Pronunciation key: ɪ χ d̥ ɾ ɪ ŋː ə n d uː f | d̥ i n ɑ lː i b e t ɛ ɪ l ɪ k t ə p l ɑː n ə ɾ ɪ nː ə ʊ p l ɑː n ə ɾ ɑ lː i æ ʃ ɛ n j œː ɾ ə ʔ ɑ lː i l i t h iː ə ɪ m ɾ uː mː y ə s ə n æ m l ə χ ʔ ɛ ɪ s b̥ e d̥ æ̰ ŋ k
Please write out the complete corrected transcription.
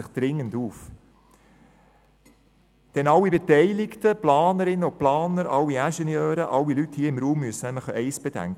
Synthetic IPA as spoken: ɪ χ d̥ ɾ ɪ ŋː ə n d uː f | d̥ ɛ n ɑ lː i b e t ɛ ɪ l ɪ k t ə p l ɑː n ə ɾ ɪ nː ə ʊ p l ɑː n ə ɾ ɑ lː i æ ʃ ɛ n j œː ɾ ə ʔ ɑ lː i l y t h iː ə ɪ m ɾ uː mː y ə s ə n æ m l ə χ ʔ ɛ ɪ s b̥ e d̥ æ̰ ŋ k